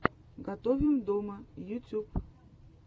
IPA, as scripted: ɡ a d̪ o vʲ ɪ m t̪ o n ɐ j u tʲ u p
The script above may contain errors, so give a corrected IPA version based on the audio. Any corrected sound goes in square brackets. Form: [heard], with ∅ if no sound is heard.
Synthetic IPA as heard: ɡ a [t̪] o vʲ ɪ m [d̪] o [m] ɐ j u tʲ u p